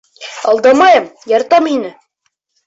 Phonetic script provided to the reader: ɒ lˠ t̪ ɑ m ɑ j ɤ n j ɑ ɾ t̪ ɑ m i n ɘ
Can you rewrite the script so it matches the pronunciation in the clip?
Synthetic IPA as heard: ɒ lˠ d̪ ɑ m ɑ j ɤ m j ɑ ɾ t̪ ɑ m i n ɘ